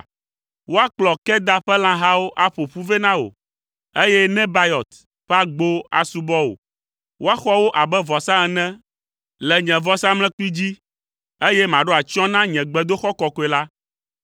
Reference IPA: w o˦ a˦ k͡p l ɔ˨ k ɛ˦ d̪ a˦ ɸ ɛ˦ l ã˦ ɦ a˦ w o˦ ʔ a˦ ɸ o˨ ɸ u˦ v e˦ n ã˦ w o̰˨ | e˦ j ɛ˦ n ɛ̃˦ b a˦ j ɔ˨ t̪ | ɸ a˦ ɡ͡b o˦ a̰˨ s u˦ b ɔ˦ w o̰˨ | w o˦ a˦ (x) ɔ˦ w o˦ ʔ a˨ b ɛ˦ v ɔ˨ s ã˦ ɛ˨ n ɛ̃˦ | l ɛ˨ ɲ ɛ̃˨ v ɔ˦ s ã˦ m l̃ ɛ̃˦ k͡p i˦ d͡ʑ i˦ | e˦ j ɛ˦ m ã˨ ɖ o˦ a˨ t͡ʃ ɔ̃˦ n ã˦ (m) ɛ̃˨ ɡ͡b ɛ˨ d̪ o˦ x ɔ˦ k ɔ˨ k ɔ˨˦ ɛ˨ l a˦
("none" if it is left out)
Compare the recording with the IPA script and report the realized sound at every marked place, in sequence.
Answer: x, ɲ

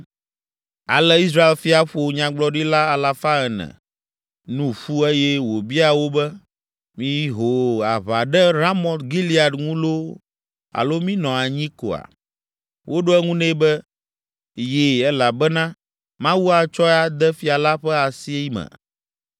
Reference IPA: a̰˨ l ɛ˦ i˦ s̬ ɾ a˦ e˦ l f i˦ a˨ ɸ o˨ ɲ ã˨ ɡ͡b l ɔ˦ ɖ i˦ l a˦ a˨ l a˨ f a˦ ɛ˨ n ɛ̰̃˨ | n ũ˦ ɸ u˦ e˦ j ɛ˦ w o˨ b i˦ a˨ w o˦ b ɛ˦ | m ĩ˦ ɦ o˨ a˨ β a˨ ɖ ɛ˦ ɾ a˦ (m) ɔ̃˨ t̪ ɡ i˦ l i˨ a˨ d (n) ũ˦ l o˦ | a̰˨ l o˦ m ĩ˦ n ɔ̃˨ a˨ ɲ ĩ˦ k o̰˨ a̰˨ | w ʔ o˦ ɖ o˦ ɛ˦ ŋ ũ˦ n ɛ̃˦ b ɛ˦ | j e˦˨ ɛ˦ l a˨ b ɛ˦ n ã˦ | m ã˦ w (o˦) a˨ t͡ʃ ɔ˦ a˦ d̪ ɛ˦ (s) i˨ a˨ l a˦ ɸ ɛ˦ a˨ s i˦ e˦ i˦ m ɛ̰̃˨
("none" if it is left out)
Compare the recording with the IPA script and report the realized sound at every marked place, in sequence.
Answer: m, ŋ, u˦, f

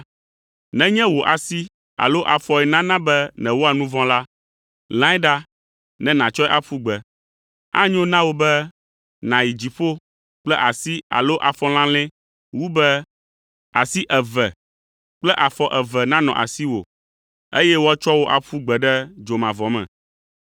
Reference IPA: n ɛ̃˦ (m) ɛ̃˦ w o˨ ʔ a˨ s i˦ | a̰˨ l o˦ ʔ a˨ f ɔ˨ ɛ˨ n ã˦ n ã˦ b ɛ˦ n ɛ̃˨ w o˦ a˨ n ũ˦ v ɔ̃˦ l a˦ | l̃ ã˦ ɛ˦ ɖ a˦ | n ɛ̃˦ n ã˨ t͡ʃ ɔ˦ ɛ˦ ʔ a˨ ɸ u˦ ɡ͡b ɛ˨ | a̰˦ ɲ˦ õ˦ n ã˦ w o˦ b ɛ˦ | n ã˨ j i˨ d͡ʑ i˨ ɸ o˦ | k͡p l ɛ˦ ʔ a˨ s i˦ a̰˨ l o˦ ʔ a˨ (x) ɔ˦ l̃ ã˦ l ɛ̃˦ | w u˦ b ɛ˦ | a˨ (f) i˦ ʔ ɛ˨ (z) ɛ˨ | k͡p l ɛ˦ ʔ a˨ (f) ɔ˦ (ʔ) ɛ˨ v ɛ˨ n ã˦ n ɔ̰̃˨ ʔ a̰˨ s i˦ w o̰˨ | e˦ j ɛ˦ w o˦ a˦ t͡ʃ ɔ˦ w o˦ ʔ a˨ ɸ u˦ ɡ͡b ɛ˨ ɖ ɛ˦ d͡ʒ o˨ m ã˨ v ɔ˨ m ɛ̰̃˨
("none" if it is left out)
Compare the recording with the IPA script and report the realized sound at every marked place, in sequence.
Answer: ɲ, f, s, v, f, ʔ

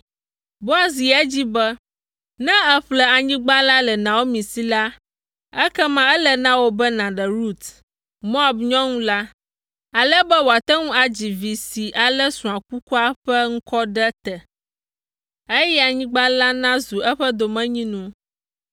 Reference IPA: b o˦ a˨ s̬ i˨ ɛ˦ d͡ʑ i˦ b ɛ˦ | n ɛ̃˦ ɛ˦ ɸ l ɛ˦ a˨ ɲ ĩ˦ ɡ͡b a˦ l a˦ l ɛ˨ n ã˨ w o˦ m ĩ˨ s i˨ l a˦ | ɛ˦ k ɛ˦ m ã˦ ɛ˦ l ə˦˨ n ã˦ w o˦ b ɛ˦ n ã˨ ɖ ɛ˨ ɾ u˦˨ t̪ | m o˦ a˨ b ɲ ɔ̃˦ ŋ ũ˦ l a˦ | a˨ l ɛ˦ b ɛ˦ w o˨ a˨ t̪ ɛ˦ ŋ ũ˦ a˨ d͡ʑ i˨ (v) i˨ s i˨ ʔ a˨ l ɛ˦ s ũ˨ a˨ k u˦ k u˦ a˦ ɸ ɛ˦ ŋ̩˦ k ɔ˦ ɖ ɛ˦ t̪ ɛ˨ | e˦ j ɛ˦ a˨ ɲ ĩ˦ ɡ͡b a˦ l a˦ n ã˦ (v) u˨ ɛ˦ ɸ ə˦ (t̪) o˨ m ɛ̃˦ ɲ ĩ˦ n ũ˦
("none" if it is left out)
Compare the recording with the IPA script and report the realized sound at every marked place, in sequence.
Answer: v, z, d̪

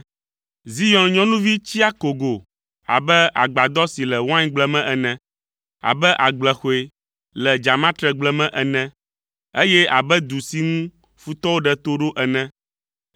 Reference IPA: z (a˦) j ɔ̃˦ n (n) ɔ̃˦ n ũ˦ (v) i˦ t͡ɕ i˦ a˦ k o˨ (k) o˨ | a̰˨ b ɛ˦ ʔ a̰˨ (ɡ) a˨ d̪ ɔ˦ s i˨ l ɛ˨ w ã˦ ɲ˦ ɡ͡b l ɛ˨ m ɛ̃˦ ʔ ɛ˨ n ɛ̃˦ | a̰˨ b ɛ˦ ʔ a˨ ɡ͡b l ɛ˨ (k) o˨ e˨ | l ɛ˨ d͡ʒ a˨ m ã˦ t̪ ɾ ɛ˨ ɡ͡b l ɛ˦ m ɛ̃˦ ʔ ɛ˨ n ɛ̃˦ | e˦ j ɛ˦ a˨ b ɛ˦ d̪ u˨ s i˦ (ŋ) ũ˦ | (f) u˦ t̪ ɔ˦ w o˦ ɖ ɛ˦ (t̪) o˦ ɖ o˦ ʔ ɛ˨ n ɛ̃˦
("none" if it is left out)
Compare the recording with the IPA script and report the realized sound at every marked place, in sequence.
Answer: i˦, ɲ, v, ɡ, ɡ͡b, x, ŋ, f, t̪

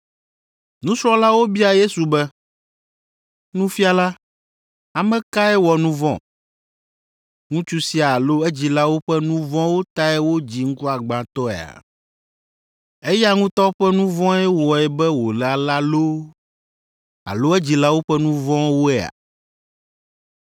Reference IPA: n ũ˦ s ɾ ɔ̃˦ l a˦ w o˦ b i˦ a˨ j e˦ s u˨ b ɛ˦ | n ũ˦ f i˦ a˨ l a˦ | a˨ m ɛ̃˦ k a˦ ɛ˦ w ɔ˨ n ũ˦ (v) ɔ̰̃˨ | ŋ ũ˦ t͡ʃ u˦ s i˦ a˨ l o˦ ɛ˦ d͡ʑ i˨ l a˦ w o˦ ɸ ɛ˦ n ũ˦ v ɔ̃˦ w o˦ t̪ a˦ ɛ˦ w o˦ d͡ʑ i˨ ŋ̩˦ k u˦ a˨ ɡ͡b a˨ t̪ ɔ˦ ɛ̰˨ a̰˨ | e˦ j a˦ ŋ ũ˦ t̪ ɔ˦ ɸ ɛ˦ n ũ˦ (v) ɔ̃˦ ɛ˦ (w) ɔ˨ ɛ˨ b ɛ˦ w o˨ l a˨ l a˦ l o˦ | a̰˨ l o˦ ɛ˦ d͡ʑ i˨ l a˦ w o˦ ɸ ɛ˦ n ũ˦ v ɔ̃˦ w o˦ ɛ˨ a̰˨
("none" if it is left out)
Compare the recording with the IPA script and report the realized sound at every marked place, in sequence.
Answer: v, v, w

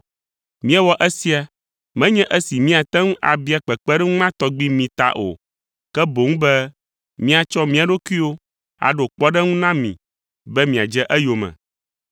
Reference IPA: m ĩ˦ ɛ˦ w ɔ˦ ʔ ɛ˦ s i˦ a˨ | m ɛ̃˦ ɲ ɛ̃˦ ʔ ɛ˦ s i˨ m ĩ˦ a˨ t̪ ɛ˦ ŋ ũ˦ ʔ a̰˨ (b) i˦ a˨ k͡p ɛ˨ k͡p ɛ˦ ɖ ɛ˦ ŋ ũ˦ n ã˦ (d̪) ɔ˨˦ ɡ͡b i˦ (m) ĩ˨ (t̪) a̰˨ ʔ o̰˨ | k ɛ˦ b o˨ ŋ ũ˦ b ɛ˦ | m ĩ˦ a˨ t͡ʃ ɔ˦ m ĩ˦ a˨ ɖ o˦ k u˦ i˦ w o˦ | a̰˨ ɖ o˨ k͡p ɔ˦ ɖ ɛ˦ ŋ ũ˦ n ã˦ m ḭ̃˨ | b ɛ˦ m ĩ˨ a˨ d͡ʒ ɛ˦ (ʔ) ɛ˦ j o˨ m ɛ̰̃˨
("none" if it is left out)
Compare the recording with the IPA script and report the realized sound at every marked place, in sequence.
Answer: b, t̪, m, t̪, ʔ

